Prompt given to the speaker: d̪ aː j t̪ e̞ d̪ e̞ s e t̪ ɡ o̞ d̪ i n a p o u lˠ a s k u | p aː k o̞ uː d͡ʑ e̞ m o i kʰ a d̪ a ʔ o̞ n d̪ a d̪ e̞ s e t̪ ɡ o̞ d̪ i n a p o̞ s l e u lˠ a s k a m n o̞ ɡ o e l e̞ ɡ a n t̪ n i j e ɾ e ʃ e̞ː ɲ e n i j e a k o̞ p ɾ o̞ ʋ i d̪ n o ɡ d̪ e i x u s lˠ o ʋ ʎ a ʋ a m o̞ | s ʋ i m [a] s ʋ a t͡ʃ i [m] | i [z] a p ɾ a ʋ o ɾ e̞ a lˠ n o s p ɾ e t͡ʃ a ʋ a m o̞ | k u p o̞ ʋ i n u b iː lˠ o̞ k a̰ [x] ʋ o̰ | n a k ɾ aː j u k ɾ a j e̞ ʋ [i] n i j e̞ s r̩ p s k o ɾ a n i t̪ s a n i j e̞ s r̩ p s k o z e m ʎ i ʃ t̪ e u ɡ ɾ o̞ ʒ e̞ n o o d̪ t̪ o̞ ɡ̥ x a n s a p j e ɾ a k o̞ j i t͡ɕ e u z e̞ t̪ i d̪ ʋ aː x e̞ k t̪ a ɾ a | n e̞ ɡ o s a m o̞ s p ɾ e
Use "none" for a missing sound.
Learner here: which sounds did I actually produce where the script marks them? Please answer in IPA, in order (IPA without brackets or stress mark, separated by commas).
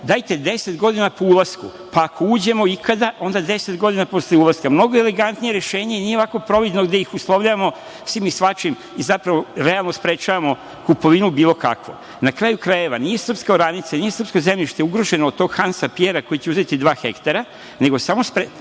i, m, z, k, a